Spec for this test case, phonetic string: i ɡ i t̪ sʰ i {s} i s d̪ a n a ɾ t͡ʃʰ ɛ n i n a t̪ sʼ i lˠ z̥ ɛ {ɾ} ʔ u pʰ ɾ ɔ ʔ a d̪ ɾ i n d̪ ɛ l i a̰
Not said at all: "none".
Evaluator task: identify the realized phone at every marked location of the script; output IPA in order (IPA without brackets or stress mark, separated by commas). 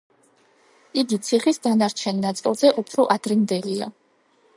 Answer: χ, none